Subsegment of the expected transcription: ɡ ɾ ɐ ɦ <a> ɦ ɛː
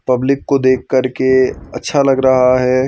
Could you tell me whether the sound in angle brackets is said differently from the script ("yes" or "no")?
no